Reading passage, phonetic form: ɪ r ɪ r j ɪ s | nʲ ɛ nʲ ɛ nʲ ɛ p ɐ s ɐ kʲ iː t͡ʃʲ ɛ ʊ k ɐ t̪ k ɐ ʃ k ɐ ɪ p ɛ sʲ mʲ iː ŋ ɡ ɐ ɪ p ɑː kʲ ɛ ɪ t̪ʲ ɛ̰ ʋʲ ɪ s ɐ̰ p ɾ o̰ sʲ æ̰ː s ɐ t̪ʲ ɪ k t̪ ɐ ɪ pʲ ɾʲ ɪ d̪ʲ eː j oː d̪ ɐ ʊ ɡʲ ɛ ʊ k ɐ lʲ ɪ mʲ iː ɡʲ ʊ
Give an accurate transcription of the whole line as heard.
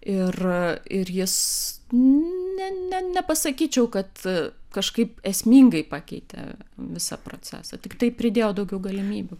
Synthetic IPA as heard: ɪ r ɪ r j ɪ s | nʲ ɛ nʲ ɛ nʲ ɛ p ɐ s ɐ kʲ iː t͡ʃʲ ɛ ʊ k ɐ t̪ k ɐ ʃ k ɐ ɪ p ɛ sʲ mʲ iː ŋ ɡ ɐ ɪ p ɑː kʲ ɛ ɪ t̪ʲ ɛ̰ ʋʲ ɪ s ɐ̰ p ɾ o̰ t͡sʲ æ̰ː s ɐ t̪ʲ ɪ k t̪ ɐ ɪ pʲ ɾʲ ɪ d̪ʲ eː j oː d̪ ɐ ʊ ɡʲ ɛ ʊ ɡ ɐ lʲ ɪ mʲ iː bʲ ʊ